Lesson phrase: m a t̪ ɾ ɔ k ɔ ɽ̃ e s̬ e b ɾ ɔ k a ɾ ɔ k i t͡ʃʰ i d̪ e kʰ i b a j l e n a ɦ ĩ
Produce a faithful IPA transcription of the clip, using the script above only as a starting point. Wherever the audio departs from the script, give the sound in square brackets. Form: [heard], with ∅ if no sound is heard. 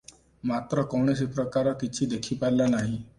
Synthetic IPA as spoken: m a t̪ ɾ ɔ k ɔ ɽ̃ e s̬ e [p] ɾ ɔ k a ɾ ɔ k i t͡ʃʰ i d̪ e kʰ i [p] a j l [a] n a ɦ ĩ